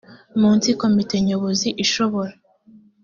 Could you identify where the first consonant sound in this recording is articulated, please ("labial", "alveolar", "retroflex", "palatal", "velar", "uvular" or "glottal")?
labial